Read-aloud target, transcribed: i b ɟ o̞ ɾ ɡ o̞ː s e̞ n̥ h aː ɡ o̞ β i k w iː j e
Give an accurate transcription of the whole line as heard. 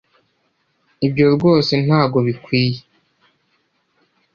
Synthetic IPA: i b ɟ o̞ ɾ ɡ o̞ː s e̞ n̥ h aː ɡ o̞ β i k w iː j e

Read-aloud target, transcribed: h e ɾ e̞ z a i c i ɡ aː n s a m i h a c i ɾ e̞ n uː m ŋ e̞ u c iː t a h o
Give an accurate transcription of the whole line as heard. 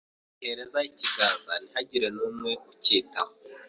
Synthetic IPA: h e ɾ e̞ z a i c i ɡ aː n z a n i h a ɟ i ɾ e̞ n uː m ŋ e̞ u c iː t a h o

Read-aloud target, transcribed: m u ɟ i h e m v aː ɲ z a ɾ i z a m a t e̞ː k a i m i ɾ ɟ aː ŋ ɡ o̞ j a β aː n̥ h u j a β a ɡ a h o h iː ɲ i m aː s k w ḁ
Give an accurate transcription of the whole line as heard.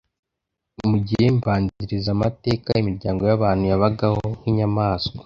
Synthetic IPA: m u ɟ i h e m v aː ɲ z i ɾ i z a m a t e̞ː k a i m i ɾ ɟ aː ŋ ɡ o̞ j a β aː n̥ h u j a β a ɡ a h o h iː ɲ a m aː s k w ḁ

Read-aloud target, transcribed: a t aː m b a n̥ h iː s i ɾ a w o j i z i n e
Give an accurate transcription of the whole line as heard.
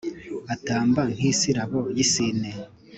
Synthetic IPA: a t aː m b a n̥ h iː s i ɾ a β o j i s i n e

